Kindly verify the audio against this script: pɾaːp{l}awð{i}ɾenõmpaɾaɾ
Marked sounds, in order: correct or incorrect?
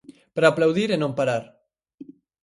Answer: correct, correct

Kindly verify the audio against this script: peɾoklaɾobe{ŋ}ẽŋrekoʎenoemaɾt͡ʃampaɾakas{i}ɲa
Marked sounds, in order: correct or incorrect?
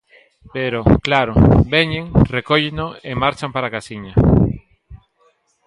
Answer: incorrect, correct

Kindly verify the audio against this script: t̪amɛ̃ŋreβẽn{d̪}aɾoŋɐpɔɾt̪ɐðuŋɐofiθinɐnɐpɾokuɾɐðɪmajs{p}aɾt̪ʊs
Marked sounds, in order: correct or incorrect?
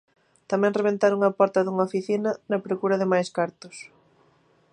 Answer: incorrect, incorrect

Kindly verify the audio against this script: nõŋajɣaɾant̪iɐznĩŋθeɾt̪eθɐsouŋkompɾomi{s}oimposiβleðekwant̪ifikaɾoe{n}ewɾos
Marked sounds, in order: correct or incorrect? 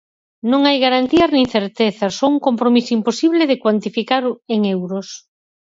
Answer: correct, incorrect

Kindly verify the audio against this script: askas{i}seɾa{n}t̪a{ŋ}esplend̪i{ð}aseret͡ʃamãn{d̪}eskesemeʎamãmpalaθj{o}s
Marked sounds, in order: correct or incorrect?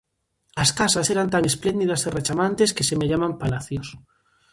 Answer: incorrect, correct, correct, correct, incorrect, correct

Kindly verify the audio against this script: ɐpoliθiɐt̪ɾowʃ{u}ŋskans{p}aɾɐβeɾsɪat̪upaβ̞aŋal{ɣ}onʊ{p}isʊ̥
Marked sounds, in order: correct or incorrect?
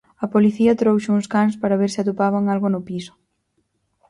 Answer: correct, correct, correct, correct

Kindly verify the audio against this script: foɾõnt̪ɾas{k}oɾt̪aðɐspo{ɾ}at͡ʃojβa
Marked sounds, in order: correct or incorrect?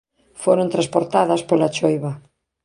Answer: incorrect, incorrect

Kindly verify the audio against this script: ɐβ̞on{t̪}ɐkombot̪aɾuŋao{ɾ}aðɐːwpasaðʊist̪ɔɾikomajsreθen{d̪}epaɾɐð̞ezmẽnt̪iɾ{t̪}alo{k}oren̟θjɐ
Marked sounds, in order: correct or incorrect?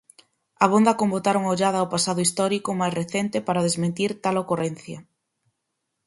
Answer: incorrect, incorrect, incorrect, correct, correct

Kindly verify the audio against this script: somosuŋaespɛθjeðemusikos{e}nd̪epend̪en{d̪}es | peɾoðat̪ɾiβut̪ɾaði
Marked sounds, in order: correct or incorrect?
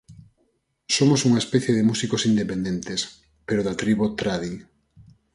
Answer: incorrect, incorrect

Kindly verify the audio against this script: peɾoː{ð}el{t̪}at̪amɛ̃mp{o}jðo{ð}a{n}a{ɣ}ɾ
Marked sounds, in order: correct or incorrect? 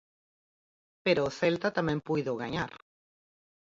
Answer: incorrect, correct, incorrect, incorrect, incorrect, incorrect

